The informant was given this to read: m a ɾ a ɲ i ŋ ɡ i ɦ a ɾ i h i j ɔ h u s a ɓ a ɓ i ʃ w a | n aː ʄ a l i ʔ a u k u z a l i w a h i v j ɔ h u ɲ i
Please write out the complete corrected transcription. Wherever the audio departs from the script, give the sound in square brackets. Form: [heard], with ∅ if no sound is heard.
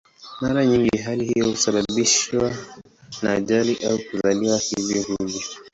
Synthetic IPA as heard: m a ɾ a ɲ i ŋ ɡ i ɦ a [l] i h i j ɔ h u s a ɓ a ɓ i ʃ w a | n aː ʄ a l i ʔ a u k u z a l i w a h i v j ɔ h u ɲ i